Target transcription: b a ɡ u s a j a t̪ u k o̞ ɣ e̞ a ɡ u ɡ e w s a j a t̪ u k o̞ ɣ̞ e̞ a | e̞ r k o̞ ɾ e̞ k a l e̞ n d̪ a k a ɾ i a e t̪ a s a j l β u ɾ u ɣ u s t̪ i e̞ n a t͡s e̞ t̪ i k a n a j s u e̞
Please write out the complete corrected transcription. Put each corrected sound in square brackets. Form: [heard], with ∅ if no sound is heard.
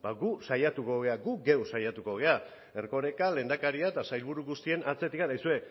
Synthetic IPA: b a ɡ u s a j a t̪ u k o̞ ɣ e̞ a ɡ u ɡ e w s a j a t̪ u k o̞ ɣ̞ e̞ a | e̞ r k o̞ ɾ e̞ k a l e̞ n d̪ a k a ɾ i a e t̪ a s a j l β u ɾ u ɣ u s t̪ i e̞ n a t͡s e̞ t̪ i k a n a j s u e̞